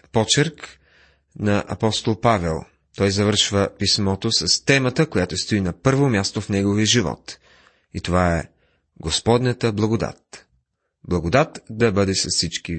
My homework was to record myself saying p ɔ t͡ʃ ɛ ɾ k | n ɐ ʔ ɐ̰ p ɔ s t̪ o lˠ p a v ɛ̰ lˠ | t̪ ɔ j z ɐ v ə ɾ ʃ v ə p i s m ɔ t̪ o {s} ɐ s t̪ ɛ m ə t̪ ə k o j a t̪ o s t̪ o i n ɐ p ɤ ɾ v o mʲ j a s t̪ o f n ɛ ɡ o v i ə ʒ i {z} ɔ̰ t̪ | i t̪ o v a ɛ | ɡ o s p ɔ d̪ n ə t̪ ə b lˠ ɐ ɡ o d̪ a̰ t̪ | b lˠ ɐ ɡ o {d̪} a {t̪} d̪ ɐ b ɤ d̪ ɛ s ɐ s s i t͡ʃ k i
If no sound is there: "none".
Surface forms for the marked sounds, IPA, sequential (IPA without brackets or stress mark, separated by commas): s, v, d̪, t̪